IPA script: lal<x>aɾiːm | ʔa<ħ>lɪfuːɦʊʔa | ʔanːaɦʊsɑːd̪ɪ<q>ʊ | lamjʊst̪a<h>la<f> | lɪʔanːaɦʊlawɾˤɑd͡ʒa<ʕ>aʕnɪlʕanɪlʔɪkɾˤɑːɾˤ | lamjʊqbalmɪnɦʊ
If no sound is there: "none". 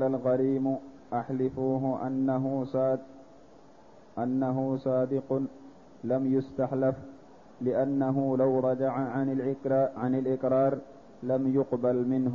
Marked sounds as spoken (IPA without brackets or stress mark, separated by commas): ɣ, ħ, q, ħ, f, ʕ